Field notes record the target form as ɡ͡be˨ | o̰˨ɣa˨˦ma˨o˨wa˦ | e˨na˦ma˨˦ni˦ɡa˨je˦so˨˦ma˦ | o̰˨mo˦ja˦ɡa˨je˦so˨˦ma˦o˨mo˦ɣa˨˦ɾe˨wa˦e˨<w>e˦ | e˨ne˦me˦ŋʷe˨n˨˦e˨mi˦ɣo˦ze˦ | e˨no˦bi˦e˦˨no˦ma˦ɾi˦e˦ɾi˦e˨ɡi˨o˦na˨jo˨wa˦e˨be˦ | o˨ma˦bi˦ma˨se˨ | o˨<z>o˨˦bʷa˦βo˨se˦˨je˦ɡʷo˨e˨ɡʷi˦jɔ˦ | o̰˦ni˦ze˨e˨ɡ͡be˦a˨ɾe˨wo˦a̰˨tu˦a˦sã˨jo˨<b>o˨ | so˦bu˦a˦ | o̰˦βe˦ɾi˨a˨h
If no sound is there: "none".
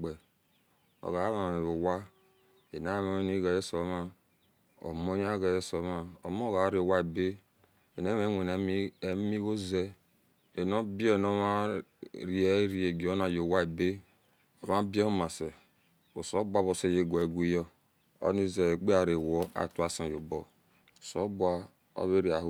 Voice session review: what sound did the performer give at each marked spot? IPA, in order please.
b, s, b

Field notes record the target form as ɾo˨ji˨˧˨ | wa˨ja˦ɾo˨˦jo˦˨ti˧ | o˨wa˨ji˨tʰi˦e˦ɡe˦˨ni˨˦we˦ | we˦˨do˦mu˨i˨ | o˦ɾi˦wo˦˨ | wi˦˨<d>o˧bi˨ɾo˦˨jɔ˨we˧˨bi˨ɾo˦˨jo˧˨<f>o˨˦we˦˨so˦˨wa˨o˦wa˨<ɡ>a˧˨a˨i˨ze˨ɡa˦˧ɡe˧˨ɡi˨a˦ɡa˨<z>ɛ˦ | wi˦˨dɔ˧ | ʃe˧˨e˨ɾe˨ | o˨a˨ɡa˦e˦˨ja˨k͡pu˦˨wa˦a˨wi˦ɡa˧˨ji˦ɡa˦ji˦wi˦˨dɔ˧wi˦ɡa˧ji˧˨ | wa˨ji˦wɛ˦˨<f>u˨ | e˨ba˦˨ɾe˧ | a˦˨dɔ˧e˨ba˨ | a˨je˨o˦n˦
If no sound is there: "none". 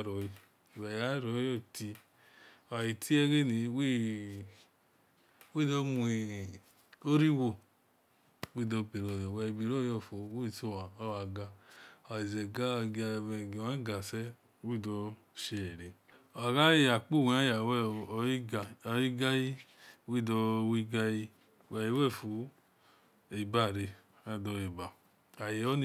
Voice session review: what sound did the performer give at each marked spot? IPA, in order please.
d, f, ɡ, s, f

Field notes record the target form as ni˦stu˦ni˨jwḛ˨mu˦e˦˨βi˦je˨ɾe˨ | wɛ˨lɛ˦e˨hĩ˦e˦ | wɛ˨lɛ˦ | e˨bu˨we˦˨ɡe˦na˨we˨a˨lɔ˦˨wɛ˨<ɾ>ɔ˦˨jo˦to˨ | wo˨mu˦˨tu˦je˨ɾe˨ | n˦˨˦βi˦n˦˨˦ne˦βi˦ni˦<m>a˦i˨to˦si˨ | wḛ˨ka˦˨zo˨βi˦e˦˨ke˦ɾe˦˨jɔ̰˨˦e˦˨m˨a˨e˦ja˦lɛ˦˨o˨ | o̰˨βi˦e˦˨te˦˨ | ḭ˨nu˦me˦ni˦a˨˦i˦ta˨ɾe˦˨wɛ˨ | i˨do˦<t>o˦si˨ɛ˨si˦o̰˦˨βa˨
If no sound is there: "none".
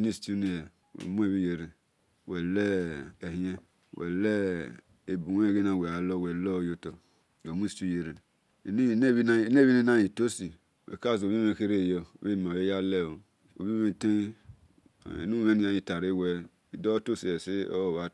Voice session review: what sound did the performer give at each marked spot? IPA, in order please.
l, n, t

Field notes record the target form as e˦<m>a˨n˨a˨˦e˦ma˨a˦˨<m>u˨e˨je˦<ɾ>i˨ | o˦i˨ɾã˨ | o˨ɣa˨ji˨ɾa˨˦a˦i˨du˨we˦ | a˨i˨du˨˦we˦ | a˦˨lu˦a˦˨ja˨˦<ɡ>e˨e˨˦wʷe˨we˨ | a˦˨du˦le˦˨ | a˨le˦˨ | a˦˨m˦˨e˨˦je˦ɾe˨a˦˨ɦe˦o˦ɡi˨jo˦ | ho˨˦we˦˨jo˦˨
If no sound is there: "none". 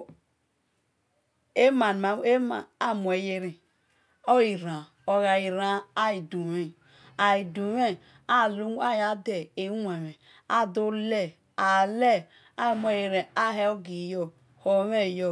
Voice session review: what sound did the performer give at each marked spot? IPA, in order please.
m, m, ɾ, d

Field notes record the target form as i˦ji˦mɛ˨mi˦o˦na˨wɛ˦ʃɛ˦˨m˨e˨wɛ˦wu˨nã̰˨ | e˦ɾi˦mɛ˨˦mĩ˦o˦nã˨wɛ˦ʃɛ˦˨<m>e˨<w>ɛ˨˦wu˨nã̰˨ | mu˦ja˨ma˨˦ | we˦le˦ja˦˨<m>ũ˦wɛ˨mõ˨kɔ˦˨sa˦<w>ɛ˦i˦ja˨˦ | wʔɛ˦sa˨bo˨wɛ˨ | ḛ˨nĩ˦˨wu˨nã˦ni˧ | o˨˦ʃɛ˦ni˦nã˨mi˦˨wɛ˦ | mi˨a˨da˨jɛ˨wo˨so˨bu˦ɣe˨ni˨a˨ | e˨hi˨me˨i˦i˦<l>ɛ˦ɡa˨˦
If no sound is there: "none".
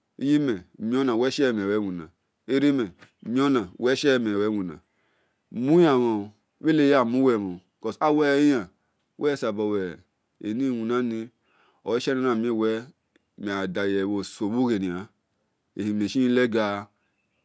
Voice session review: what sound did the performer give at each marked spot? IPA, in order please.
m, w, m, w, l

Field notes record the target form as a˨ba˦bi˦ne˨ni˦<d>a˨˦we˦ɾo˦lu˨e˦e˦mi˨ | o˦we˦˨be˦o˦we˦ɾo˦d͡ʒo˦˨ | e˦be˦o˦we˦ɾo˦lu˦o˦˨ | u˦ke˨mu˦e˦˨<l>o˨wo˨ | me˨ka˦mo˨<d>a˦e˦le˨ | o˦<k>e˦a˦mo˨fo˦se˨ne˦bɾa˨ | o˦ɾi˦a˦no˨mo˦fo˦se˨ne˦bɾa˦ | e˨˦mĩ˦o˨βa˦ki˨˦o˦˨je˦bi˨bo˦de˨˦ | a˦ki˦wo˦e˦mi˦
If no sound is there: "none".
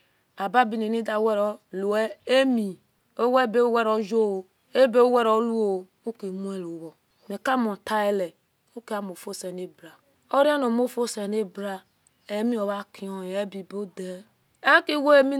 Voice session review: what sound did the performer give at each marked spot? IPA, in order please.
d, l, t, k

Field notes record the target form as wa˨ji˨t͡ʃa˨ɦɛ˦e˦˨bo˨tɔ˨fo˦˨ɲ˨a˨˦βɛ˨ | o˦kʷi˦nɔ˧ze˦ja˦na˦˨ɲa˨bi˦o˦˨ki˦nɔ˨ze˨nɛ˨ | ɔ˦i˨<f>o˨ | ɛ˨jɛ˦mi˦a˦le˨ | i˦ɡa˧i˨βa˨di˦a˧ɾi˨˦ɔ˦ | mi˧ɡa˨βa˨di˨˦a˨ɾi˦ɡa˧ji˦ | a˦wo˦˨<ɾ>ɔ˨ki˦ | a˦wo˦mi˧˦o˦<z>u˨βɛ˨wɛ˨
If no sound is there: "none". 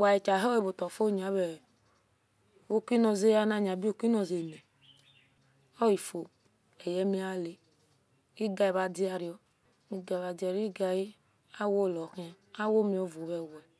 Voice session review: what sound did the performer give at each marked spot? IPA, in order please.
f, l, v

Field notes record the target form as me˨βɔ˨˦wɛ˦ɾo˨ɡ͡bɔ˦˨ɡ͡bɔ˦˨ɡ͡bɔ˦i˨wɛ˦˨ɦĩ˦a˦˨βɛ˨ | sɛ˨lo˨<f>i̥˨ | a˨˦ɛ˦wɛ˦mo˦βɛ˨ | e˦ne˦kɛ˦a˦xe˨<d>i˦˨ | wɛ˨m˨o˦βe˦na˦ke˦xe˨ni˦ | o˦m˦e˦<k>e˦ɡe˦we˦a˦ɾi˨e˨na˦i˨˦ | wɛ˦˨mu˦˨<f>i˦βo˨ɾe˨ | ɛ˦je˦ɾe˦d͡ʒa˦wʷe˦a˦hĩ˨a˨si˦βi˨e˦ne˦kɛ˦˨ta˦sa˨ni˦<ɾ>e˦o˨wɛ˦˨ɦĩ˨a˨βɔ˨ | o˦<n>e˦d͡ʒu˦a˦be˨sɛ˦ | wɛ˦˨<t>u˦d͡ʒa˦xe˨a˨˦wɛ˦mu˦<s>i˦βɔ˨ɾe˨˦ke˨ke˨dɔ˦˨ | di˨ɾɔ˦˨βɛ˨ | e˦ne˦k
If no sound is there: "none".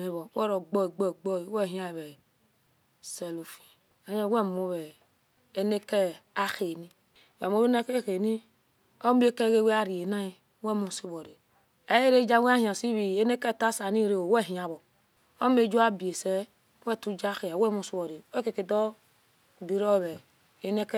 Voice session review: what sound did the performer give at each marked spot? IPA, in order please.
f, n, k, s, ɾ, m, t, s

